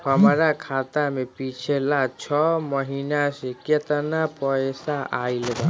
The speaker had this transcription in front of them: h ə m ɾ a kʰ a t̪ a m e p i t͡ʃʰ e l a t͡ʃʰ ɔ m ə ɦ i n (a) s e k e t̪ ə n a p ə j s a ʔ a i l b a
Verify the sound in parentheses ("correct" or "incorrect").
correct